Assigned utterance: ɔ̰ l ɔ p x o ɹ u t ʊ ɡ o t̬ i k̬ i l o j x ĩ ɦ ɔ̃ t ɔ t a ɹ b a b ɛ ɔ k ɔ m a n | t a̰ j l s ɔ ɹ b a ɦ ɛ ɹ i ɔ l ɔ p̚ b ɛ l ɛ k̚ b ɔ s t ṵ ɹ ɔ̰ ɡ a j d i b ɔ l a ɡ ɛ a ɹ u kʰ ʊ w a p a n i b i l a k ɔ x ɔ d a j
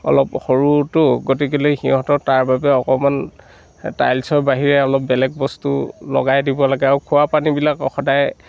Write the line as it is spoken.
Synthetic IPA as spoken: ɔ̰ l ɔ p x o ɹ u t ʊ ɡ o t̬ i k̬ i l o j x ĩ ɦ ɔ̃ t ɔ t a ɹ b a b ɛ ɔ k ɔ m a n | t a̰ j l s ɔ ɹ b a ɦ i ɹ ɛ ɔ l ɔ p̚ b ɛ l ɛ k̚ b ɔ s t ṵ l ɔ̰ ɡ a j d i b ɔ l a ɡ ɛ a ɹ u kʰ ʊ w a p a n i b i l a k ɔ x ɔ d a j